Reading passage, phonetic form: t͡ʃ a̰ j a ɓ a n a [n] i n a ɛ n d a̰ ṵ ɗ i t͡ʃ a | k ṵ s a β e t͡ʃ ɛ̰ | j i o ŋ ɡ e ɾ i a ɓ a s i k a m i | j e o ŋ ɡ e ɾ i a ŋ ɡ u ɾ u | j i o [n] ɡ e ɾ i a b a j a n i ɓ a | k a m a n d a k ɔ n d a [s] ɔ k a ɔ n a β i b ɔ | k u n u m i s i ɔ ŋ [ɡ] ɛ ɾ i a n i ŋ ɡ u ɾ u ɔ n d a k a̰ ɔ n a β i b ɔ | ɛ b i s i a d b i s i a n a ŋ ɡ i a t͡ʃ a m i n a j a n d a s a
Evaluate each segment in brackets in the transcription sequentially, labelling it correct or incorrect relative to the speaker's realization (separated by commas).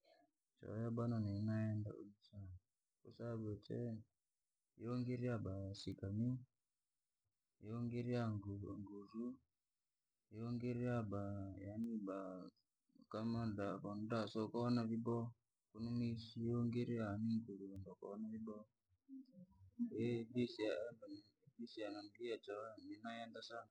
correct, incorrect, correct, correct